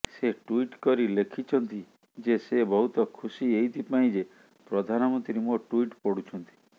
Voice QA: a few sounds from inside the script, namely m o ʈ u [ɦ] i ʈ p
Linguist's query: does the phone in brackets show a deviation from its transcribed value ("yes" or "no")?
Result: yes